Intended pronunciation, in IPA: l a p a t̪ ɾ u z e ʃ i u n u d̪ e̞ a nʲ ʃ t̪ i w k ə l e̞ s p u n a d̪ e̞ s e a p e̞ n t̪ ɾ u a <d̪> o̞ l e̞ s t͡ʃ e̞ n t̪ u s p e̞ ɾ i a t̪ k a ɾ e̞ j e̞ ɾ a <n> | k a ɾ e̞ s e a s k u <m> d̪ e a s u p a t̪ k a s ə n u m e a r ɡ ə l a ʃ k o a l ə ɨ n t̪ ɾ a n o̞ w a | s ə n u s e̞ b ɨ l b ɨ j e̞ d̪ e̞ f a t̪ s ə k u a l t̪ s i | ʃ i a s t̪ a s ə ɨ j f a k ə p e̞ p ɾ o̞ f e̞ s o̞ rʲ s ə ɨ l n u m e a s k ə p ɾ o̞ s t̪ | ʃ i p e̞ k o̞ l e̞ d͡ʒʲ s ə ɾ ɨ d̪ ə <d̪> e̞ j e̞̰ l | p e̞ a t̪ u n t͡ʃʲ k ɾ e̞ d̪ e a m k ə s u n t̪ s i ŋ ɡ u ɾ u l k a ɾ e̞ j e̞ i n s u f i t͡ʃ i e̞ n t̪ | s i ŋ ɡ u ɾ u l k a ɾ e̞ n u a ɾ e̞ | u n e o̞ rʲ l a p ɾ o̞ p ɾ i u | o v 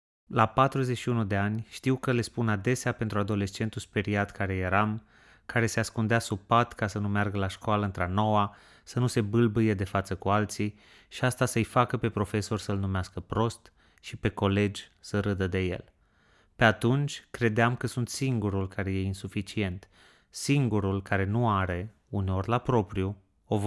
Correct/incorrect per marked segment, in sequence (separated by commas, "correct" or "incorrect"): correct, incorrect, incorrect, correct